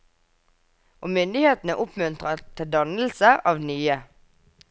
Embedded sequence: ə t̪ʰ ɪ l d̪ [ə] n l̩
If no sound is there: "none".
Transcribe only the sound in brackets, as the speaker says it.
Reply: ɑ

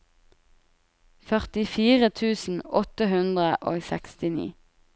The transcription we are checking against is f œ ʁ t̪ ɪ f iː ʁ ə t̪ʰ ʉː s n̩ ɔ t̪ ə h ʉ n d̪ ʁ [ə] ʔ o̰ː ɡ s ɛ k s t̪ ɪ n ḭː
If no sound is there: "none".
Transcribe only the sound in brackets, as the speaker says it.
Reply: ə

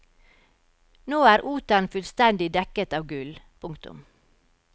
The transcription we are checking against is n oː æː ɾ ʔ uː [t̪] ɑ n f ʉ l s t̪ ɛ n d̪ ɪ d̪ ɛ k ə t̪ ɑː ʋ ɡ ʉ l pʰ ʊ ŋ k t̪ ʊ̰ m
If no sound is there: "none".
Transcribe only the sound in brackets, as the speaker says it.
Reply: t̪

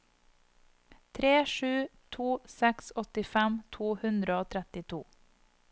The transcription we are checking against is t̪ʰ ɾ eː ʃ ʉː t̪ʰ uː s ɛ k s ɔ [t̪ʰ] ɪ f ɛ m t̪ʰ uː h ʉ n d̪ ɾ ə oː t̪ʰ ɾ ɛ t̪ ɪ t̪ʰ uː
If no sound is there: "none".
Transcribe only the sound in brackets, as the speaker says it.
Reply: t̪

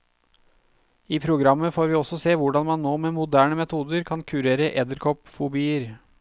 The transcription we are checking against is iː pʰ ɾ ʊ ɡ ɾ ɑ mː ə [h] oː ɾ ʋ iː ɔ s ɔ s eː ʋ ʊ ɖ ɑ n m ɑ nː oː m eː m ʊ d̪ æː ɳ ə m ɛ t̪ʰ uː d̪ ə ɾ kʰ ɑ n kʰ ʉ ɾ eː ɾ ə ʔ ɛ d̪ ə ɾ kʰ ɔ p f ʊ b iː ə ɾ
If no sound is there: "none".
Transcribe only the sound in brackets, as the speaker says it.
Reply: f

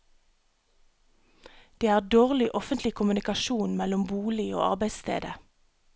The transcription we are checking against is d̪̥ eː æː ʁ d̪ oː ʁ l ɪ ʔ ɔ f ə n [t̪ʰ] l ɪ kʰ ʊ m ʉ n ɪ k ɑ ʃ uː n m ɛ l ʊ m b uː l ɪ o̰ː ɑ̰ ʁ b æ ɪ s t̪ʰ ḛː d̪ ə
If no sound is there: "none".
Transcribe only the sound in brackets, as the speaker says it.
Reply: t̪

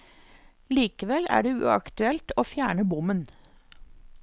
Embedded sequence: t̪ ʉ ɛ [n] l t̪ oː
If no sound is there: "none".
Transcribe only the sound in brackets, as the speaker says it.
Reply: none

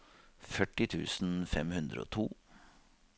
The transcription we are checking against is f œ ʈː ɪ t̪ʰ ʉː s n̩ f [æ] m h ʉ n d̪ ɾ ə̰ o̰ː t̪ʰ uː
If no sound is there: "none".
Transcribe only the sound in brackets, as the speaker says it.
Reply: ɛ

